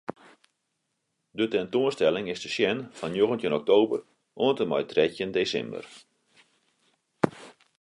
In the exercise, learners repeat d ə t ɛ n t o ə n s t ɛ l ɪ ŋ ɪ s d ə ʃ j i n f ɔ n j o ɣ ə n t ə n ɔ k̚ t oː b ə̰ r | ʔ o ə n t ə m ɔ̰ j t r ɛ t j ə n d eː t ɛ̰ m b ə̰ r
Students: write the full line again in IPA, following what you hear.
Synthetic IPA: d ə t ɛ n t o ə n s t ɛ l ɪ ŋ ɪ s d ə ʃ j ɛ n f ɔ n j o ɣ ə n t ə n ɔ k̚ t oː b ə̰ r | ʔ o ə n t ə m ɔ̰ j t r ɛ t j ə n d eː s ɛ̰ m b ə̰ r